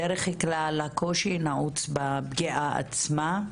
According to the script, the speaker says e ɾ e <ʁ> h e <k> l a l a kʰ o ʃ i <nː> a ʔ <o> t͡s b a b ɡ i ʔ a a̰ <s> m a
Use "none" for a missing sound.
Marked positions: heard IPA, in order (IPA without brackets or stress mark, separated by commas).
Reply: χ, k, n, u, t͡s